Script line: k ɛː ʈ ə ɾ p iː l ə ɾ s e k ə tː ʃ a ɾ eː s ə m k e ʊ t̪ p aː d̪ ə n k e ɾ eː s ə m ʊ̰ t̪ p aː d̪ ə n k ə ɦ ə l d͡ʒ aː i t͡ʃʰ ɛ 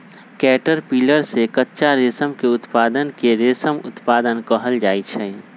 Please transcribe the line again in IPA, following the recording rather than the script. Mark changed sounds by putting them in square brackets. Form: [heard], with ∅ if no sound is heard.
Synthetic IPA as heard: k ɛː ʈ ə ɾ p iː l ə ɾ s e k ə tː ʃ a ɾ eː s ə m k e ʊ t̪ p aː d̪ ə n k e ɾ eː s ə m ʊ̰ t̪ p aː d̪ ə n k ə ɦ ə l d͡ʒ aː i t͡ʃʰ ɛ